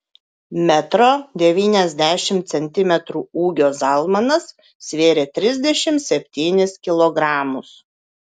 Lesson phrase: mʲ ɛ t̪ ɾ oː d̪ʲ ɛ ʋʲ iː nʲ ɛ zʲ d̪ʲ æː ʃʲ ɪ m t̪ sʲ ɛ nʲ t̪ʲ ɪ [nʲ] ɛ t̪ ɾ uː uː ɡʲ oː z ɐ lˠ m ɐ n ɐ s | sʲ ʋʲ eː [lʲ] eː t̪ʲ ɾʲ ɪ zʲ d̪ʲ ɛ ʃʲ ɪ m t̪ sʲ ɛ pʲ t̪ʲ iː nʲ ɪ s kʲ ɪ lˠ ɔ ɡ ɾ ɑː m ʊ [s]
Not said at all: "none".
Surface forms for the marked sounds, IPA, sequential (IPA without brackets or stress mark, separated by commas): mʲ, ɾʲ, s